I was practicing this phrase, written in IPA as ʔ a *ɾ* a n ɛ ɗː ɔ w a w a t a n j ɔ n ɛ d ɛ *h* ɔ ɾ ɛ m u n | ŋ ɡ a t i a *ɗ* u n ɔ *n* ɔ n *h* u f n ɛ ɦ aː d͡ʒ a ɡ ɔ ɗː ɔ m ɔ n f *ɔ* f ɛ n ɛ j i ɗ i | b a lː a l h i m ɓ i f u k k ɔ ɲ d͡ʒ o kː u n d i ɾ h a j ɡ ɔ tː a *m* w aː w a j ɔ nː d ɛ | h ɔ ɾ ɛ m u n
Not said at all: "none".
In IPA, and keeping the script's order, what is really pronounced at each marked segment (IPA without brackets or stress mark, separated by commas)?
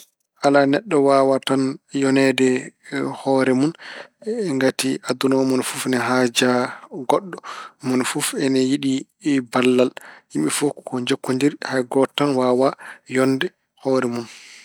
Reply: l, h, d, m, f, u, n